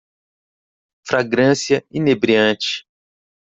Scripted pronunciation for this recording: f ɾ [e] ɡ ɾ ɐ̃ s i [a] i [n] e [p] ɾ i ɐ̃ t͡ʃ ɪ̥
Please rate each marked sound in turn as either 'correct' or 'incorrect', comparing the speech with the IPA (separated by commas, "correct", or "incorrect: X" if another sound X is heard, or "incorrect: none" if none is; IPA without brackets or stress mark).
incorrect: a, incorrect: ɐ, correct, incorrect: b